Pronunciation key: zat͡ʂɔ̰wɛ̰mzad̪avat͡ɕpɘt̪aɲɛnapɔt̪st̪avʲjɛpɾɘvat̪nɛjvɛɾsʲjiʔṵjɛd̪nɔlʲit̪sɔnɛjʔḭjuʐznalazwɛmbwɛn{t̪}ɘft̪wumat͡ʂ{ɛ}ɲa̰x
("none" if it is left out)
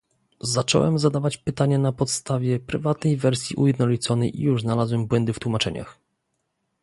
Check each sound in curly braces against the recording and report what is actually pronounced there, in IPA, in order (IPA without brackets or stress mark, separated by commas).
d̪, ɛ